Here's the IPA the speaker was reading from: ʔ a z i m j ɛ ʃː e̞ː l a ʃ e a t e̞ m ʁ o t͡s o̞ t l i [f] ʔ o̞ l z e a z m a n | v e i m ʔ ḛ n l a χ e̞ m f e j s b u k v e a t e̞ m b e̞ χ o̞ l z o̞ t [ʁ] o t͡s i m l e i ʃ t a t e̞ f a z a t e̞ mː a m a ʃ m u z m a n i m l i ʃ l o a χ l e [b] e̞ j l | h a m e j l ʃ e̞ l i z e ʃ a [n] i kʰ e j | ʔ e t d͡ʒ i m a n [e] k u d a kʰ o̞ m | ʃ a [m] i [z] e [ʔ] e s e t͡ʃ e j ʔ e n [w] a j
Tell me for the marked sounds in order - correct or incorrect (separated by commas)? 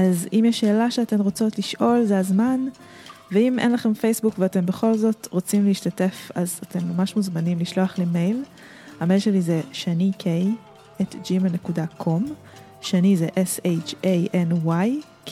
incorrect, correct, incorrect, correct, correct, incorrect, correct, correct, correct